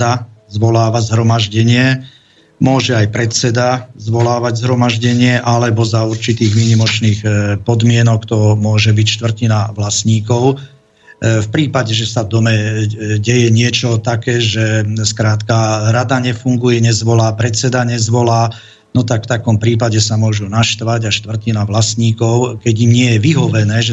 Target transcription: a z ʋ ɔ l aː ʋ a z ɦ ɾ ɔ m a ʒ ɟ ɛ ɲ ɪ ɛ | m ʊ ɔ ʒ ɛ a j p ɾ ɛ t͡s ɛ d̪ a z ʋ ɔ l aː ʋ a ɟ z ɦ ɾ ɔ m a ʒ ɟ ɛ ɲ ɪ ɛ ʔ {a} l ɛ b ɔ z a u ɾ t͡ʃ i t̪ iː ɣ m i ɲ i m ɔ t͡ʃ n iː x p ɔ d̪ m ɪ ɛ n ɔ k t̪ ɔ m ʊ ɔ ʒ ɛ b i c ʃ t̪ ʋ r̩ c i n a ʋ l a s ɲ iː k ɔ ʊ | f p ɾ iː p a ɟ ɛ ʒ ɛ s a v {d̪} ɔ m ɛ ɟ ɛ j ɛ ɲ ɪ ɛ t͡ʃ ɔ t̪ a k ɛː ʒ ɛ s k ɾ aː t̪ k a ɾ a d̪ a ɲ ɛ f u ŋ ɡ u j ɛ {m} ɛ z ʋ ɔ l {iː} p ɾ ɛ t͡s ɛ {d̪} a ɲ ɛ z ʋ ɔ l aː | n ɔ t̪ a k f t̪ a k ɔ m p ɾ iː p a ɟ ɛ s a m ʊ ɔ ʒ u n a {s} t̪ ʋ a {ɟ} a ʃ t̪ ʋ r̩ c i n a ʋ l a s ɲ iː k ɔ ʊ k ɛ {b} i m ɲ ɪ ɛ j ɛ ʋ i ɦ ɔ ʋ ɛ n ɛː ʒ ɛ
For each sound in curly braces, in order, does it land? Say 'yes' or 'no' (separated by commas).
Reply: yes, yes, no, no, yes, no, yes, no